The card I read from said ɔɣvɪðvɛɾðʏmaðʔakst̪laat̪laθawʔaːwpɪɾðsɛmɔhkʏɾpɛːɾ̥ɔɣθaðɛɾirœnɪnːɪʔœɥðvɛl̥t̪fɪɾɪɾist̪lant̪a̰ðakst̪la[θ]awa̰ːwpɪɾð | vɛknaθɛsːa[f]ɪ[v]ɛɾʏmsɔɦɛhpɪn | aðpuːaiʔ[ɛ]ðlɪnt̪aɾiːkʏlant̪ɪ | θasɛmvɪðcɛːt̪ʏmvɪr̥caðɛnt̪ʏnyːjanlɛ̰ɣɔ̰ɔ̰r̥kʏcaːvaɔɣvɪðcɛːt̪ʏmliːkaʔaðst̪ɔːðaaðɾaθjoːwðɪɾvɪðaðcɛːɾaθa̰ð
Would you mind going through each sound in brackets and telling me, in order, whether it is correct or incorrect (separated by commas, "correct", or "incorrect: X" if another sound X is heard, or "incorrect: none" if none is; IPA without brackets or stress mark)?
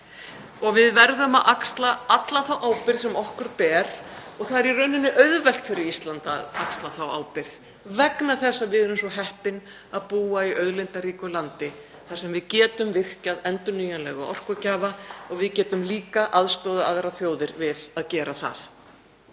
correct, incorrect: v, incorrect: ð, incorrect: œ